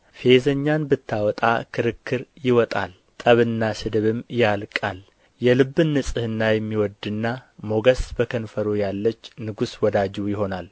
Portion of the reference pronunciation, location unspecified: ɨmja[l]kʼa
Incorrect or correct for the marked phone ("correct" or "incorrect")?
correct